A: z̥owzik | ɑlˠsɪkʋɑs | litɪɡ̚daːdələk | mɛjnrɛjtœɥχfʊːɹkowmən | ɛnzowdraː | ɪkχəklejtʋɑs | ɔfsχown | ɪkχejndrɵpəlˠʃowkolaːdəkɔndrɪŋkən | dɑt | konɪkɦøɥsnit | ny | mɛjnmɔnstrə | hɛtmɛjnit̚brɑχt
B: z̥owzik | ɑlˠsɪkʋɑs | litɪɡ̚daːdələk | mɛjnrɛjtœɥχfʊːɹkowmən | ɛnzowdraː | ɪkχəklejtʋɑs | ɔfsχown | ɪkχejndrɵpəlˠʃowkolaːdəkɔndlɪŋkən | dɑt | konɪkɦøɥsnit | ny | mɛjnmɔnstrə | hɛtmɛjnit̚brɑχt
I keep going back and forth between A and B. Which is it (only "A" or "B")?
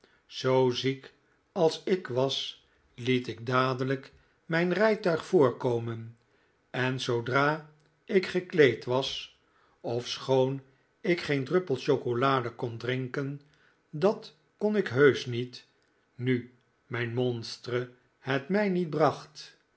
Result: A